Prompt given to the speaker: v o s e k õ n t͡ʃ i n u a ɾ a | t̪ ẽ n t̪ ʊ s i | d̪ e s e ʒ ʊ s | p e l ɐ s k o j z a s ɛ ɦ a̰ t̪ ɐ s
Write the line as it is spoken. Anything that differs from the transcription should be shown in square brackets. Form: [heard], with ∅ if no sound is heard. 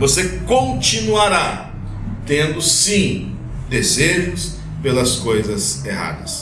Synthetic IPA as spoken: v o s e k õ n t͡ʃ i n u a ɾ a | t̪ ẽ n [d̪] ʊ s [ĩ] | d̪ e [z] e ʒ ʊ s | p e l ɐ s k o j z [ɐ] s [e] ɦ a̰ [d̪] ɐ s